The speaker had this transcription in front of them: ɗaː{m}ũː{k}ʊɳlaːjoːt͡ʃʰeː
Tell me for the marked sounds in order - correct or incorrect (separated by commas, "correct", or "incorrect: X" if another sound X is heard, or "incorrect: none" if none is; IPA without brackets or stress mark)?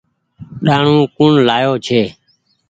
incorrect: ɳ, correct